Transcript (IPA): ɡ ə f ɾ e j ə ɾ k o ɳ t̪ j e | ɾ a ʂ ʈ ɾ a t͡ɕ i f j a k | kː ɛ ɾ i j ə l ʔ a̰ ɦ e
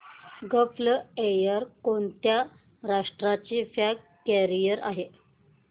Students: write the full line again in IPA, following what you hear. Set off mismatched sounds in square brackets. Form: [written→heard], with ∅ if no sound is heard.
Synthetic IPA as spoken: ɡ ə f [ɾ→l] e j ə ɾ k o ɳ t̪ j [e→a] | ɾ a ʂ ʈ ɾ a t͡ɕ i f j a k | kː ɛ ɾ i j ə [l→ɾ] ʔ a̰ ɦ e